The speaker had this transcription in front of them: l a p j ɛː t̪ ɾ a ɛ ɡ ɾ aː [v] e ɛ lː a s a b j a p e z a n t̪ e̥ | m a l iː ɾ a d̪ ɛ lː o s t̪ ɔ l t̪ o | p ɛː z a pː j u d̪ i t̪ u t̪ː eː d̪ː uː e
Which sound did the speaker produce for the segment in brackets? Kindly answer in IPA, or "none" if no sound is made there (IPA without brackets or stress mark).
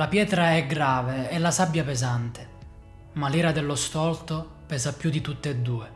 v